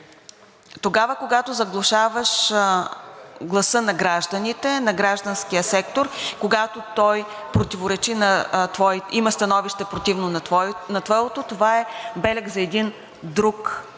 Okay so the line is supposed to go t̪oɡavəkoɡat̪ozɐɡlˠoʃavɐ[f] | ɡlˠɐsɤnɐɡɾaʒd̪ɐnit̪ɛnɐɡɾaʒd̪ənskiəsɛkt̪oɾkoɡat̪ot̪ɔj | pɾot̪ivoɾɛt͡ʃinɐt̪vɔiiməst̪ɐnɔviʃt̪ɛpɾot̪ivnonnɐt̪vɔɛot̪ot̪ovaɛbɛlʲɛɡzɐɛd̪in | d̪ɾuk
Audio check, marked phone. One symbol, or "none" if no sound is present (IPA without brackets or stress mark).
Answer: ʃ